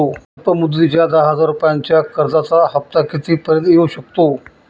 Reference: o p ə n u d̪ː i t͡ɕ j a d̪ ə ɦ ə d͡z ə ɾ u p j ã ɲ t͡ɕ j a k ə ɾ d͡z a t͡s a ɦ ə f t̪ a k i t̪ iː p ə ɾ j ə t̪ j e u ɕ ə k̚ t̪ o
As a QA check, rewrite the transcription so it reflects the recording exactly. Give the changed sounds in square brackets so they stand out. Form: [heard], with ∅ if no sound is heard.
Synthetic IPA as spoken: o p ə [m] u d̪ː i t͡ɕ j a d̪ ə ɦ ə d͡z [a] ɾ u p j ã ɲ t͡ɕ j a k ə ɾ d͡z a t͡s a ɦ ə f t̪ a k i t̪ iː p ə ɾ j ə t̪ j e u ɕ ə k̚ t̪ o